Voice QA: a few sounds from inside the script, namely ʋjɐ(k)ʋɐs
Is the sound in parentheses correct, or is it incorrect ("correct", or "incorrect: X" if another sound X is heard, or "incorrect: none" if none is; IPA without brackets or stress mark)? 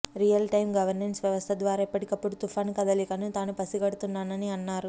incorrect: none